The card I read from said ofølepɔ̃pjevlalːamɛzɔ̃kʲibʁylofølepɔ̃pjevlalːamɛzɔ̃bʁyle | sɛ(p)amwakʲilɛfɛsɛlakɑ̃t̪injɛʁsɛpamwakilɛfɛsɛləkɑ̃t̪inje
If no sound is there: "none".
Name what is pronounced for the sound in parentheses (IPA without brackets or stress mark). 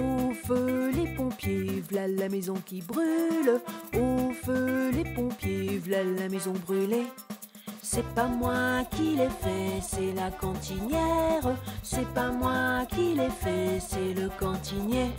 p